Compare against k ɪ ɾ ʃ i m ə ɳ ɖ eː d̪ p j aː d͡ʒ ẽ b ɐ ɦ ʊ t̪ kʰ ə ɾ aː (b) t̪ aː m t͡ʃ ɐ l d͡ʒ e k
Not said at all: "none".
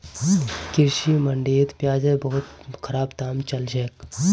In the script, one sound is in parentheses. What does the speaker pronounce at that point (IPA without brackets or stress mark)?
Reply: b